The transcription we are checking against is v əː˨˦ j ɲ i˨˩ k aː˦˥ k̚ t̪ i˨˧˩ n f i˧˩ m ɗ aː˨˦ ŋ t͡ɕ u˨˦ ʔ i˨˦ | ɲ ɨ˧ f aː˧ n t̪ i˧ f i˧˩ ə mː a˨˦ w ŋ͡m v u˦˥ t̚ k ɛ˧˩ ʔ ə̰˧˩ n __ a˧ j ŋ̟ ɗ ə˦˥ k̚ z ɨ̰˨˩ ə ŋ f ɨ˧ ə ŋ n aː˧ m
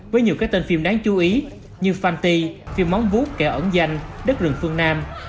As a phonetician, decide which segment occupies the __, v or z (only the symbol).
z